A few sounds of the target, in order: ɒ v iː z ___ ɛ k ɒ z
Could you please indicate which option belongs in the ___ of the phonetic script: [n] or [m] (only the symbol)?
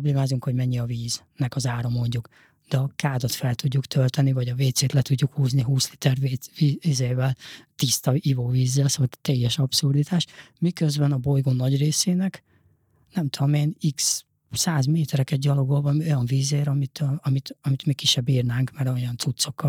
n